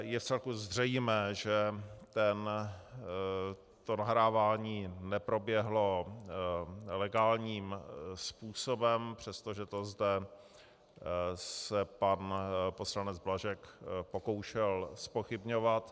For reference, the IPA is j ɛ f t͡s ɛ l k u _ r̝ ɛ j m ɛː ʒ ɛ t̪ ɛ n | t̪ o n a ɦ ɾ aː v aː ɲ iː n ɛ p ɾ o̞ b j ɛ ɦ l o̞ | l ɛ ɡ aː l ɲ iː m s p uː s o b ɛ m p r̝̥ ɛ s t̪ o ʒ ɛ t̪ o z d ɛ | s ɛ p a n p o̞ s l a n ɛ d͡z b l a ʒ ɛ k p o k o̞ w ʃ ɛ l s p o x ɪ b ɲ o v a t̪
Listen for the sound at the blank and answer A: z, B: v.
A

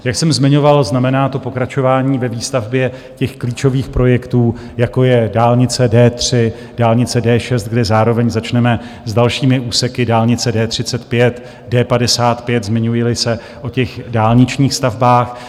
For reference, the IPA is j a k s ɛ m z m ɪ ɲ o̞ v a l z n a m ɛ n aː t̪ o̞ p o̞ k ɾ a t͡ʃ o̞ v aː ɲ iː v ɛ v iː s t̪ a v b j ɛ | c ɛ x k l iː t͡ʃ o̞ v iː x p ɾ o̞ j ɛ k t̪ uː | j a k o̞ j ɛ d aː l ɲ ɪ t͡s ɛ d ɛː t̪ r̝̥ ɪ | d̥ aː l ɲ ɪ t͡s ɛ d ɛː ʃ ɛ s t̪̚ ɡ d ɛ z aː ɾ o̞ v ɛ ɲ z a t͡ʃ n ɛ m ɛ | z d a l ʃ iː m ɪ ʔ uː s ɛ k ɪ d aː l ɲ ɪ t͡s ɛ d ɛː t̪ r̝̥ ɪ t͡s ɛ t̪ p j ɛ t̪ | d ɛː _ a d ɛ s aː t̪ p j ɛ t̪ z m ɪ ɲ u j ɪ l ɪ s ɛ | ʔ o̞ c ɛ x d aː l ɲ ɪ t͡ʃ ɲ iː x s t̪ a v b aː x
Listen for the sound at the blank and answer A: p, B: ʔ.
A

